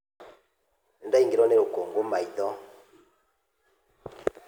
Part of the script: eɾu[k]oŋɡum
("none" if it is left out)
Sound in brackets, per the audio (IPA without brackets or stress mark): k